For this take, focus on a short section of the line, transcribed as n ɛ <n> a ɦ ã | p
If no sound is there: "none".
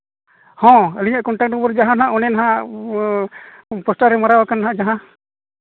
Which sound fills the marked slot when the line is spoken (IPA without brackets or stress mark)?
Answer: n